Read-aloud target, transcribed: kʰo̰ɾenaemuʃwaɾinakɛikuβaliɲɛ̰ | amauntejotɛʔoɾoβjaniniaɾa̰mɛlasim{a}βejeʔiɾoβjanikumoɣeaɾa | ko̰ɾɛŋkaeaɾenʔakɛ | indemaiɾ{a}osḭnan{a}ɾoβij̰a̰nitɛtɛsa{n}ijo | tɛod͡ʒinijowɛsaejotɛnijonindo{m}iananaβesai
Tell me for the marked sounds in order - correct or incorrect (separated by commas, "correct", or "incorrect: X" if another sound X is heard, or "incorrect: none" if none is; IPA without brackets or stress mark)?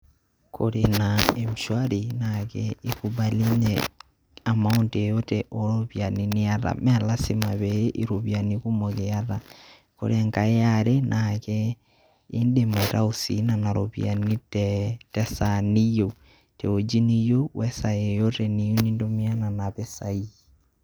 correct, correct, correct, correct, correct